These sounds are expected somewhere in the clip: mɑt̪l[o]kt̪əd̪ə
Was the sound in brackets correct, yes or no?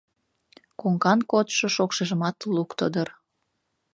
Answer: no